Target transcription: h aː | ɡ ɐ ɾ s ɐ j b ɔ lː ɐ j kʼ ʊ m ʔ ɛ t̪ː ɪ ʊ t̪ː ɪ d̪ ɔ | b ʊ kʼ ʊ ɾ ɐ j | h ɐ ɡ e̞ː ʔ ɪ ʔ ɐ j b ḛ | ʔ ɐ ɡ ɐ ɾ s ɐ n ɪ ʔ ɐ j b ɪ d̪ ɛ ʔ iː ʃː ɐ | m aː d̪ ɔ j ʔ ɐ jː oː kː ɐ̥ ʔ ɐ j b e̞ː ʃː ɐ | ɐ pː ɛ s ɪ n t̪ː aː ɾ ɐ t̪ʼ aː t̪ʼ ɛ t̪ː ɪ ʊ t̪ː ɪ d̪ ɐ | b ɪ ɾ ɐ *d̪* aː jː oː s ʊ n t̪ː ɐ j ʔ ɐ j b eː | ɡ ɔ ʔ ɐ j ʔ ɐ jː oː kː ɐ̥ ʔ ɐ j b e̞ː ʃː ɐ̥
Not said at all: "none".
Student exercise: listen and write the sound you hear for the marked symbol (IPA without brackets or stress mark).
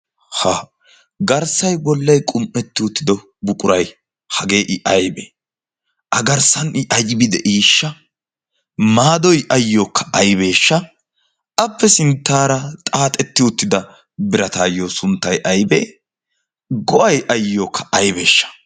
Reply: t̪